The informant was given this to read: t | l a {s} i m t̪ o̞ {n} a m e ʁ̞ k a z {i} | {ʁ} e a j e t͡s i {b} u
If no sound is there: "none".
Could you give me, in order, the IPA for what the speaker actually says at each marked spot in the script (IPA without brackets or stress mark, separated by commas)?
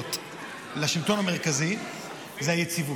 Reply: ʃ, n, i, z, v